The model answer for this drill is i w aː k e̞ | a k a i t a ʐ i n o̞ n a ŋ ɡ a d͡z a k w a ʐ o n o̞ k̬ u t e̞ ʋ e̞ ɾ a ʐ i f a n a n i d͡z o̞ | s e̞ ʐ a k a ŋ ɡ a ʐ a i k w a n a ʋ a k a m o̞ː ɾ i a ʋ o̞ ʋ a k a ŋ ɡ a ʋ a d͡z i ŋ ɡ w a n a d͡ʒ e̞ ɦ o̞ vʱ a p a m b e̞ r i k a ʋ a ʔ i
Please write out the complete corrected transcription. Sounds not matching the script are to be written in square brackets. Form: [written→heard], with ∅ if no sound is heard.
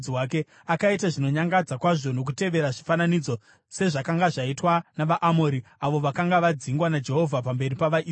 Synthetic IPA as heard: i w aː k e̞ | a k a i t a ʐ i n o̞ [n→ɲ] a ŋ ɡ a d͡z a k w a ʐ o n o̞ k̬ u t e̞ ʋ e̞ ɾ a ʐ i f a n a n i d͡z o̞ | s e̞ ʐ a k a ŋ ɡ a ʐ a i [k→t] w a n a ʋ a [k→ʔ] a m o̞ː ɾ i a ʋ o̞ ʋ a k a ŋ ɡ a ʋ a d͡z i ŋ ɡ w a n a d͡ʒ e̞ ɦ o̞ vʱ a p a m b e̞ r i [k→p] a ʋ a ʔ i